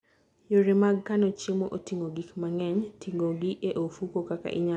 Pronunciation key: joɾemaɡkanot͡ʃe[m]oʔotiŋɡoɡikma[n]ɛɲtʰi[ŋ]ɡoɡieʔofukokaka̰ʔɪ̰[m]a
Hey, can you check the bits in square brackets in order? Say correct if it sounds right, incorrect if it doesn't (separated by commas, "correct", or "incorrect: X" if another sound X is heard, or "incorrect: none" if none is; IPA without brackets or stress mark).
correct, incorrect: ŋ, correct, incorrect: ɲ